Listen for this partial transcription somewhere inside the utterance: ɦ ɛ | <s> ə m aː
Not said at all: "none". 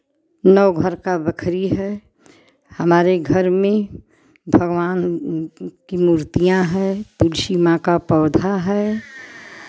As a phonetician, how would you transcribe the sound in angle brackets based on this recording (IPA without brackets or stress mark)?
h